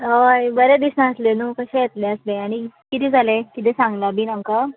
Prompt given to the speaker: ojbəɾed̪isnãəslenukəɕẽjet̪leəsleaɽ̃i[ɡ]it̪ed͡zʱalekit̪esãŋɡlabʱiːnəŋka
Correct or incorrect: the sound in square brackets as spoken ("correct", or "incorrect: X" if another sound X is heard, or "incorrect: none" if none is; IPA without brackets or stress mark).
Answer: incorrect: k